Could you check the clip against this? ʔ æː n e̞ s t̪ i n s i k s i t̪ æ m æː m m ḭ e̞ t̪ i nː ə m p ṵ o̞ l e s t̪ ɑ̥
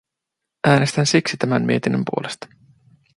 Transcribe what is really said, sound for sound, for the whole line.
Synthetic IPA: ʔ æː n e̞ s t̪ æ n s i k s i t̪ æ m æ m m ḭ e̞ t̪ i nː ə m p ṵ o̞ l e s t̪ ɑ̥

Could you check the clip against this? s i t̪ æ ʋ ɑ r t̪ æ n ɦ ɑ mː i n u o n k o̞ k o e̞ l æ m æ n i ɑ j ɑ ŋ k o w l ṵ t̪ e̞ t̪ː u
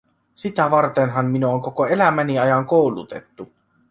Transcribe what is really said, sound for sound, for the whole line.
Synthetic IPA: s i t̪ æ ʋ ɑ r t̪ e n ɦ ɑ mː i n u o ŋ k o̞ k o e̞ l æ m æ n i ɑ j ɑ ŋ k o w l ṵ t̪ e̞ t̪ː u

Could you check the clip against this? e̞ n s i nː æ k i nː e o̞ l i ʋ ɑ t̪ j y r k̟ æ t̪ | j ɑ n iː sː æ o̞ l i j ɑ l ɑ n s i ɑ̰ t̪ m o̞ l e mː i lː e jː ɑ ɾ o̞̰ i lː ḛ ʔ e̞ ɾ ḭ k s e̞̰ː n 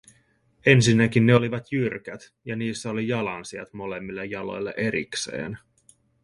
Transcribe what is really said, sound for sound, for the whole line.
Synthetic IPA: e̞ n s i nː æ k i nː e o̞ l i ʋ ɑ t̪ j y r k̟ æ t̪ | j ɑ n iː sː æ o̞ l i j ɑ l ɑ n s i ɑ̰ t̪ m o̞ l e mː i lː e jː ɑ l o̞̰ j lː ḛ ʔ e̞ ɾ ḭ k s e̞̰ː n

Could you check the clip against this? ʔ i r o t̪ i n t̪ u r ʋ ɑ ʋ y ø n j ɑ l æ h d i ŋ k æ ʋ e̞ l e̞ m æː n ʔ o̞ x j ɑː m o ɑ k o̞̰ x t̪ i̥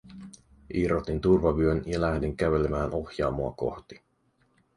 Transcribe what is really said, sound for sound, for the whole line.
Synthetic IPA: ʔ i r o t̪ i n t̪ u r ʋ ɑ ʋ y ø n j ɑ l æ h d i ŋ k æ ʋ e̞ l e̞ m æː n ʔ o̞ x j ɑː m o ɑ k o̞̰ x t̪ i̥

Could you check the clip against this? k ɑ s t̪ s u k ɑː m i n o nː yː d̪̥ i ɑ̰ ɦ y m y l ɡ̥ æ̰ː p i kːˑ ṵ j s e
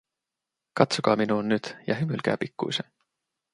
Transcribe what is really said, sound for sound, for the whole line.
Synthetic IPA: k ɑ t̪ s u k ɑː m i n u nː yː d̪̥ j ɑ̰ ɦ y m y l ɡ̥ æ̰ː p i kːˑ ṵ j s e

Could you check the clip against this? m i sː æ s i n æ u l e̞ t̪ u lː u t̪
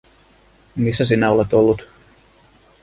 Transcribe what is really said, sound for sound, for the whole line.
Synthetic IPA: m i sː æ s i n æ o l e̞ t̪ o lː u t̪

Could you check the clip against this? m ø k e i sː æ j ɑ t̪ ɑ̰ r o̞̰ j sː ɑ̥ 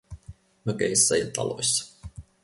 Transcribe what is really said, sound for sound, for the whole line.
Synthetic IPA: m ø k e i sː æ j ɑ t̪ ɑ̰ l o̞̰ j sː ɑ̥

